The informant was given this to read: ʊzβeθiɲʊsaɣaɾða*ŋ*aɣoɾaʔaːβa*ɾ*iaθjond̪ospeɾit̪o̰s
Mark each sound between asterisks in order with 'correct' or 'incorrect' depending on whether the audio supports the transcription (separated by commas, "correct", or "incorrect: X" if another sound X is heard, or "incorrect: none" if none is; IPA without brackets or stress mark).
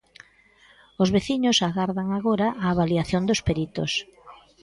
correct, incorrect: l